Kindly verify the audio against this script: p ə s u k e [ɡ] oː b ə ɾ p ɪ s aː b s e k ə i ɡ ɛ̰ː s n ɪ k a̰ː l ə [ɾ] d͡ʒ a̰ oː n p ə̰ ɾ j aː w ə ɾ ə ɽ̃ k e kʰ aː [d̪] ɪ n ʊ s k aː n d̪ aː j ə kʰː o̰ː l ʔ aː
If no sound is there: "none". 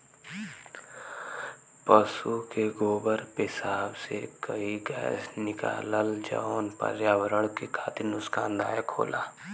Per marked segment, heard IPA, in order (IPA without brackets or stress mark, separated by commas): ɡ, l, t̪